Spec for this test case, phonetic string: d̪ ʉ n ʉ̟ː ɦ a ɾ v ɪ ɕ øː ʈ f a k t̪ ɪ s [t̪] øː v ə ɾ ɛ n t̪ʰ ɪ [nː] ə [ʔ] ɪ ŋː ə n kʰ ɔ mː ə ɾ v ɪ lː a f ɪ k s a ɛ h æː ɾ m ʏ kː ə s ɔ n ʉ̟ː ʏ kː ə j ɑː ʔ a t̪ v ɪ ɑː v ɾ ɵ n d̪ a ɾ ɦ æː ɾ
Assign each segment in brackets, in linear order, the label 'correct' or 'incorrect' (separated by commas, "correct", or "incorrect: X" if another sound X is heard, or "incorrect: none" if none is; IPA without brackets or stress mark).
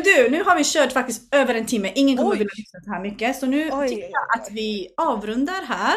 correct, incorrect: mː, correct